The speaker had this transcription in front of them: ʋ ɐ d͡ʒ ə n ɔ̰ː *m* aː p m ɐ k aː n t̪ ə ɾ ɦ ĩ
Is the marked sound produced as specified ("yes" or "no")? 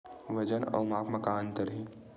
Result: yes